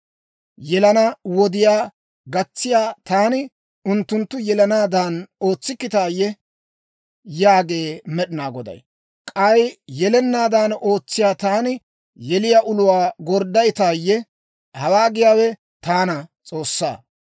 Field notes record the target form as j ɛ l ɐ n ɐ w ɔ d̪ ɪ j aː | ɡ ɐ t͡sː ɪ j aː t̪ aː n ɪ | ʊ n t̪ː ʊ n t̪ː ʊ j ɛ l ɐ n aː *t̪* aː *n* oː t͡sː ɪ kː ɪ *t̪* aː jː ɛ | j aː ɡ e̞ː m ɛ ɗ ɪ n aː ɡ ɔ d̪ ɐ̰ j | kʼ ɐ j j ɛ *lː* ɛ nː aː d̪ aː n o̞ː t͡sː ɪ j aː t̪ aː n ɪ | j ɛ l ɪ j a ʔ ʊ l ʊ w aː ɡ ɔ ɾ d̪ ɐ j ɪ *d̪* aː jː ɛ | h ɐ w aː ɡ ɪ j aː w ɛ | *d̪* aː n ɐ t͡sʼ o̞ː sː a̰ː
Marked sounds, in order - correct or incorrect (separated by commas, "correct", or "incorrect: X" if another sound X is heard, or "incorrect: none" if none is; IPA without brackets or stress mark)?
incorrect: d̪, correct, correct, incorrect: l, incorrect: t̪, incorrect: t̪